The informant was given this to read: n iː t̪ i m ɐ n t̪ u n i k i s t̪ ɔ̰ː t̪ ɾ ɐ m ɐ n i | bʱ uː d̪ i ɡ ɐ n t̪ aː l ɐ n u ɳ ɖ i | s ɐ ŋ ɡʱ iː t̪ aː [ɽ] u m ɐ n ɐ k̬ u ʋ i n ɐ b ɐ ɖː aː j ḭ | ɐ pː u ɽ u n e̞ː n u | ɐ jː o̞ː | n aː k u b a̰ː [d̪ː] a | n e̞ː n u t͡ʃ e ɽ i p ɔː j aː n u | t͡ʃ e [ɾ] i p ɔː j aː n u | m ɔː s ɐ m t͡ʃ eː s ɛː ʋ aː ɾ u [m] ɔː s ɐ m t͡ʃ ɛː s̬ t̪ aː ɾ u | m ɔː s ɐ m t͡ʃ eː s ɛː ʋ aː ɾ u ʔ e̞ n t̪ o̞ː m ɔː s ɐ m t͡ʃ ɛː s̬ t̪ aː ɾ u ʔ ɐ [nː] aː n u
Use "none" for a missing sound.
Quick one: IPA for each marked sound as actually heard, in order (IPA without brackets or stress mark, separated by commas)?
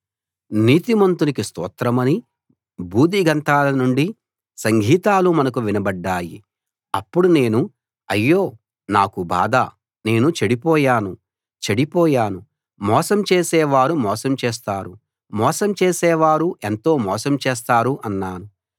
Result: l, d̪, ɽ, m, nː